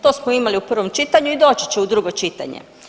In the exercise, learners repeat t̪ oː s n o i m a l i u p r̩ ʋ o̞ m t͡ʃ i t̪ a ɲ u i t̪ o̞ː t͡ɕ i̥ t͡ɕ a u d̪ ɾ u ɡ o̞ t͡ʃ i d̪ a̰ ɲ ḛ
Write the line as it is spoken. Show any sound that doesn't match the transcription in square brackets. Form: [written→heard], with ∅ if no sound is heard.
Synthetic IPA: t̪ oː s [n→m] o i m a l i u p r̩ ʋ o̞ m t͡ʃ i t̪ a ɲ u i [t̪→d̪] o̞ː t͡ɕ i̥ t͡ɕ [a→e] u d̪ ɾ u ɡ o̞ t͡ʃ i [d̪→t̪] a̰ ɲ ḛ